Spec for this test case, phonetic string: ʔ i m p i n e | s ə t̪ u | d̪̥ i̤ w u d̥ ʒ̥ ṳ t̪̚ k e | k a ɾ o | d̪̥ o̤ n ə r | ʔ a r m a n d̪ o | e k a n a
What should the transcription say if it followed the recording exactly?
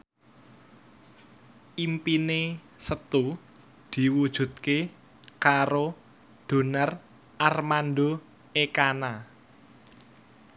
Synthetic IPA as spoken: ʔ i m p i n e | s ə t̪ u | d̪̥ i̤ w u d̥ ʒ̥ ṳ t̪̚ k e | k a ɾ o | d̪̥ o̤ n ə r | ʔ a r m a n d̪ o | e k a n a